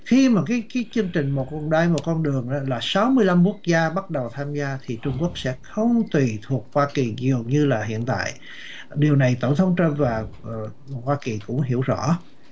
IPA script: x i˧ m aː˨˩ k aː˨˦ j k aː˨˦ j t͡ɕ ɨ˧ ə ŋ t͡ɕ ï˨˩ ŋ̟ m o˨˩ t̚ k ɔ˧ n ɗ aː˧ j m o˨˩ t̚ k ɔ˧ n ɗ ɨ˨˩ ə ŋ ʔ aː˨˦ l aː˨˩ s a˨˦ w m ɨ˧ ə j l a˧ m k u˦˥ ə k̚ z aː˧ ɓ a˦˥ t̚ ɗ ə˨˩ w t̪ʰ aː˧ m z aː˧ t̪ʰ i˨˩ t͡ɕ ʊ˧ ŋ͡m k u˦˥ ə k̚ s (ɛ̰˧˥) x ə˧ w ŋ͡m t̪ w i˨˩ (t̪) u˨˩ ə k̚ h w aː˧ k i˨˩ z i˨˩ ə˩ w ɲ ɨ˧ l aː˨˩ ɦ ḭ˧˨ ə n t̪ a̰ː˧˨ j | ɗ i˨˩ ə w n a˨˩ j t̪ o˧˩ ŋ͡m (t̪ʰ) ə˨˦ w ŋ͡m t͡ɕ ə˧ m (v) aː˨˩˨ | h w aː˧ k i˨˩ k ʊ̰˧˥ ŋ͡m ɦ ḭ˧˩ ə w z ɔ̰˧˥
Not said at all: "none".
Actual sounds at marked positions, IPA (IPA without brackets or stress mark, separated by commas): ɛ̰˧˥, t̪ʰ, t̪ʰ, v